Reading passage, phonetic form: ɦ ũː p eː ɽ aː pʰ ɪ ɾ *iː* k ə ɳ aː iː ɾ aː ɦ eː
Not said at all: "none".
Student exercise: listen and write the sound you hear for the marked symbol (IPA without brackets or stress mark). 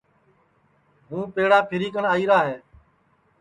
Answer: iː